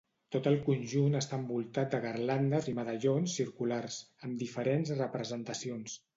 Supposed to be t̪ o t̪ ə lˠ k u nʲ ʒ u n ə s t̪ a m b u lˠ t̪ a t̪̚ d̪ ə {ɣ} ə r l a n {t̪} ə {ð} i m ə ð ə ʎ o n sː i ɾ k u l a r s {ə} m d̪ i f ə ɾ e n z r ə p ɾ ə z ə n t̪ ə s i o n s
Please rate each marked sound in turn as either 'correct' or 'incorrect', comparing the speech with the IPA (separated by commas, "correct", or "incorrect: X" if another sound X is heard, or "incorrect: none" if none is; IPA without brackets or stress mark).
correct, incorrect: d̪, incorrect: z, correct